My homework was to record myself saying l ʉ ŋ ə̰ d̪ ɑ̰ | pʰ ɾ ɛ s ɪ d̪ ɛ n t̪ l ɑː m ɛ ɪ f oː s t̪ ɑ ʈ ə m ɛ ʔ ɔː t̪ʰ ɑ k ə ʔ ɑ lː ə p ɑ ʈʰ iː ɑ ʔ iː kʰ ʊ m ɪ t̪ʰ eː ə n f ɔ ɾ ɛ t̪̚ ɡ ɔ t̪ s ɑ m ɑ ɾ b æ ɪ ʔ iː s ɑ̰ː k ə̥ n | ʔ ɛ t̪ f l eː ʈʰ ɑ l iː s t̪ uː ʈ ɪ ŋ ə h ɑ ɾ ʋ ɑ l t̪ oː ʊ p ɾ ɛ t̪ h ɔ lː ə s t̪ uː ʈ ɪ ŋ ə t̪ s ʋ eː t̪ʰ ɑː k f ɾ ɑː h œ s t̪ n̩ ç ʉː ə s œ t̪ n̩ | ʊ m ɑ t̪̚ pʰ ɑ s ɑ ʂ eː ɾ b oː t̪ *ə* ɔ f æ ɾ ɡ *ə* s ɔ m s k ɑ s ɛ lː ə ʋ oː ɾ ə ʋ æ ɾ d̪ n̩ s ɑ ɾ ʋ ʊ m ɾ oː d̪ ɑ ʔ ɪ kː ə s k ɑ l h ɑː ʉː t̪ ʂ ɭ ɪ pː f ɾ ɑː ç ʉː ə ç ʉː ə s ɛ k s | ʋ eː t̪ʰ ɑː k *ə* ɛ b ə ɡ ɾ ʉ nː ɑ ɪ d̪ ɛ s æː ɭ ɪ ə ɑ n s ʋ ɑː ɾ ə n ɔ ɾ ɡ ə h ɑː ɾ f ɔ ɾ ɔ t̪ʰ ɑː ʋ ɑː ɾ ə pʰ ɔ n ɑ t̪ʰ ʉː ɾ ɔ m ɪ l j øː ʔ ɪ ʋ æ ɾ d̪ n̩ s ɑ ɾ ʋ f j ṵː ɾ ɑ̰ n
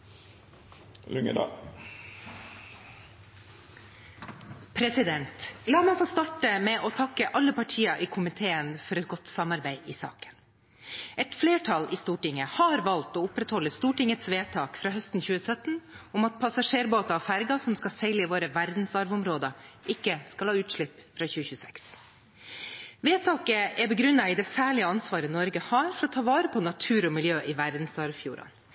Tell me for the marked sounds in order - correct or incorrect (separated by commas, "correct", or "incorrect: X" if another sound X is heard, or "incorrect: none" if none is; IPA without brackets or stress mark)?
incorrect: ɑ, incorrect: ɑ, correct